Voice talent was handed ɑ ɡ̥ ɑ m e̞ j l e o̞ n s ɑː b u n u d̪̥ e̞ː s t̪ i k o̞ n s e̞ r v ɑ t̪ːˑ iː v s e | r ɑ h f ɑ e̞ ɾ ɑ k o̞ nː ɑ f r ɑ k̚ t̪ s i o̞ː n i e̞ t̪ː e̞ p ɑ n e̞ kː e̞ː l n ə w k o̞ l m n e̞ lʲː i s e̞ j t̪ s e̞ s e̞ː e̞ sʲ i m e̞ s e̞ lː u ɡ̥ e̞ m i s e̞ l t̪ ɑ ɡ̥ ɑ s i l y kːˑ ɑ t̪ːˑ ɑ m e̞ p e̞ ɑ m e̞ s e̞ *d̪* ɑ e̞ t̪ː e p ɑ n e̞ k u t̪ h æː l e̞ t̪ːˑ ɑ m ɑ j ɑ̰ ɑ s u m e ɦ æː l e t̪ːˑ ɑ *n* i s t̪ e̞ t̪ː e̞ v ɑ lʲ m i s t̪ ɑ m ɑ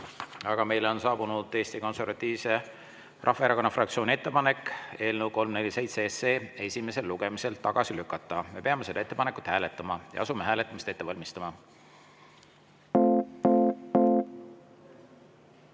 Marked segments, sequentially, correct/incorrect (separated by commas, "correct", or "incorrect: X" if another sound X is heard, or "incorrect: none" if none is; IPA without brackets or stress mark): correct, incorrect: m